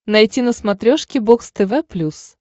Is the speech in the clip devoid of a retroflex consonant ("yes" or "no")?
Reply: no